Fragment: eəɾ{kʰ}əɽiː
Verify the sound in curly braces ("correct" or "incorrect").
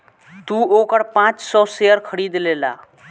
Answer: correct